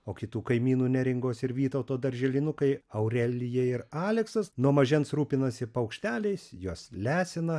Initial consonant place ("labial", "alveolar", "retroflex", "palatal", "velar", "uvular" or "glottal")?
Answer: velar